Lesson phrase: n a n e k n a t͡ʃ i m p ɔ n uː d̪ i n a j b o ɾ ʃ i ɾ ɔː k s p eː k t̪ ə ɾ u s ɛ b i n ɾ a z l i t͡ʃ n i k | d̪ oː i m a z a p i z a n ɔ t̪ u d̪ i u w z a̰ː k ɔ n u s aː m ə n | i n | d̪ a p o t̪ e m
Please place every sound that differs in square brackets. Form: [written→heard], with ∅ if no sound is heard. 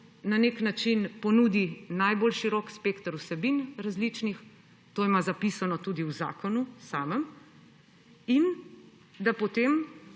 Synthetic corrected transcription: n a n e k n a t͡ʃ i [m→n] p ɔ n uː d̪ i n a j b o [ɾ→l] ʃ i ɾ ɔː k s p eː k t̪ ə ɾ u s ɛ b i n ɾ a z l i t͡ʃ n i [k→x] | [d̪→t̪] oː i m a z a p i [z→s] a n ɔ t̪ u d̪ i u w z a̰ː k ɔ n u s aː m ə [n→m] | i n | d̪ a p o t̪ e m